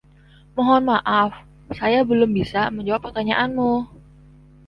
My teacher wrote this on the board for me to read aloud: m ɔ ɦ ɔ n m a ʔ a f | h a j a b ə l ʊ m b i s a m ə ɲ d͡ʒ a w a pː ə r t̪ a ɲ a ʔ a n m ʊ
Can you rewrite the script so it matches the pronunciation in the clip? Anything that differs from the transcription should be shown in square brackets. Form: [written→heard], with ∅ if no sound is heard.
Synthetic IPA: m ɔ ɦ ɔ n m a ʔ a f | [h→s] a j a b ə l ʊ m b i s a m ə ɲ d͡ʒ a w a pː ə r t̪ a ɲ a ʔ a n m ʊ